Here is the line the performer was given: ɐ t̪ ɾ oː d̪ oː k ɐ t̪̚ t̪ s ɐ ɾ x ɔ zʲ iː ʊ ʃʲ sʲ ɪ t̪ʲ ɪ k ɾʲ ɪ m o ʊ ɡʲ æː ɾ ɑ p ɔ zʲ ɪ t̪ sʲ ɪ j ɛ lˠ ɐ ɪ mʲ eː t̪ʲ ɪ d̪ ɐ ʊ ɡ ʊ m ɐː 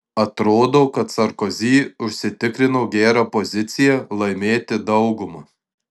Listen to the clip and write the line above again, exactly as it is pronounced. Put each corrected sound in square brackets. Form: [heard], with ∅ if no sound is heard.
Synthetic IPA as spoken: ɐ t̪ ɾ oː d̪ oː k ɐ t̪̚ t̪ s ɐ ɾ [k] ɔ zʲ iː ʊ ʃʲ sʲ ɪ t̪ʲ ɪ k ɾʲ ɪ [n] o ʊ ɡʲ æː ɾ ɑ p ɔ zʲ ɪ t̪ sʲ ɪ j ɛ lˠ ɐ ɪ mʲ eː t̪ʲ ɪ d̪ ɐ ʊ ɡ ʊ m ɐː

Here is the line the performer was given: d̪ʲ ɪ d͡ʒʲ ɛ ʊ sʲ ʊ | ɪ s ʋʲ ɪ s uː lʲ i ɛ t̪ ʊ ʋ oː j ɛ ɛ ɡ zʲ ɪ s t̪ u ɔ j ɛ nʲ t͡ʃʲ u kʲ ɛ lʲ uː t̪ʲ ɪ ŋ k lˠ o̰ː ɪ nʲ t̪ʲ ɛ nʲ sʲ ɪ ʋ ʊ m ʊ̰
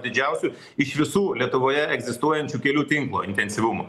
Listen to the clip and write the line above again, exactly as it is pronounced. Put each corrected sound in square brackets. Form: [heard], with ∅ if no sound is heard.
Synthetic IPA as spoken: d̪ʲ ɪ d͡ʒʲ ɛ ʊ sʲ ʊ | ɪ [ʃ] ʋʲ ɪ s uː lʲ i ɛ t̪ ʊ ʋ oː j ɛ ɛ ɡ zʲ ɪ s t̪ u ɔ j ɛ nʲ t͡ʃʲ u kʲ ɛ lʲ uː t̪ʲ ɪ ŋ k lˠ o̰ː ɪ nʲ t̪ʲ ɛ nʲ sʲ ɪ ʋ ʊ m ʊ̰

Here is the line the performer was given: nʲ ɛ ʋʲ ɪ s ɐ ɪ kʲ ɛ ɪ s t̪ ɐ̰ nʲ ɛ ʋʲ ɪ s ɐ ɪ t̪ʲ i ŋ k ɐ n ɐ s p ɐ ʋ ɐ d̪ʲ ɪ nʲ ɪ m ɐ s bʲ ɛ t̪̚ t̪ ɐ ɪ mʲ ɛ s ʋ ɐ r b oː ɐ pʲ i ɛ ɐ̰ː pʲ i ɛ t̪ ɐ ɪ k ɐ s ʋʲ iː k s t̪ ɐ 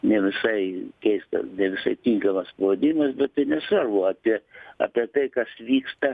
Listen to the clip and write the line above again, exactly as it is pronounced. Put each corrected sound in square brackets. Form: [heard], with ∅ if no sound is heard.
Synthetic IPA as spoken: nʲ ɛ ʋʲ ɪ s ɐ ɪ kʲ ɛ ɪ s t̪ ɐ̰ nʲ ɛ ʋʲ ɪ s ɐ ɪ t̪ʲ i ŋ k ɐ [m] ɐ s p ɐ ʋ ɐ d̪ʲ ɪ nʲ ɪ m ɐ s bʲ ɛ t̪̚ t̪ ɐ ɪ [nʲ] ɛ s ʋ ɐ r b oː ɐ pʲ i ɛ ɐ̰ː pʲ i ɛ t̪ ɐ ɪ k ɐ s ʋʲ iː k s t̪ ɐ

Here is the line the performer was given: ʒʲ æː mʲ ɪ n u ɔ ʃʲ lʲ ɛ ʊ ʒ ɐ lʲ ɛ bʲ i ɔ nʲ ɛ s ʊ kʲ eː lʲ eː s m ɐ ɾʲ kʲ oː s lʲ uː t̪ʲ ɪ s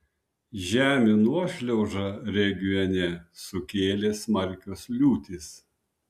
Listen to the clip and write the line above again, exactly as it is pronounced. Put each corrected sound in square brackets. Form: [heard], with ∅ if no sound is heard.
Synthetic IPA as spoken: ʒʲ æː mʲ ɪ n u ɔ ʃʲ lʲ ɛ ʊ ʒ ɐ [ɾʲ] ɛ [ɡʲ] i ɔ nʲ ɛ s ʊ kʲ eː lʲ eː s m ɐ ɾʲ kʲ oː s lʲ uː t̪ʲ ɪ s

